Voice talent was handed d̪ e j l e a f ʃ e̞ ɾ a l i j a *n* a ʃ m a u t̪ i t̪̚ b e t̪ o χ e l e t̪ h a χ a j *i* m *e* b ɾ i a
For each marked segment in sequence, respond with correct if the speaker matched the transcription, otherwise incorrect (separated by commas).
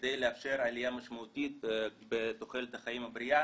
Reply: incorrect, correct, incorrect